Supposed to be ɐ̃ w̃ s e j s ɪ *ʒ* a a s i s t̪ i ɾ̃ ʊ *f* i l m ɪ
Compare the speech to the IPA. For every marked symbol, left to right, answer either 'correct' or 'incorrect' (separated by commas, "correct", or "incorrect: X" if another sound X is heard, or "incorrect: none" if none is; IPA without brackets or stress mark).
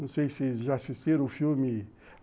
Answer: correct, correct